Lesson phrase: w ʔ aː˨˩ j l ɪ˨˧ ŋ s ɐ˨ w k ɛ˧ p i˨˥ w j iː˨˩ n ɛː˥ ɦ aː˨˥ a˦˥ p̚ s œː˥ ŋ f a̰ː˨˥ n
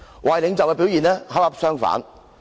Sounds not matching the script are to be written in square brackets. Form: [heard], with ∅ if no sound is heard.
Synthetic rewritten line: w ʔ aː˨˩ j l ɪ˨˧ ŋ [t͡s] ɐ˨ w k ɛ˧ p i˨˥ w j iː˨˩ n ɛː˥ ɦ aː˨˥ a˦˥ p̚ s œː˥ ŋ f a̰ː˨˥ n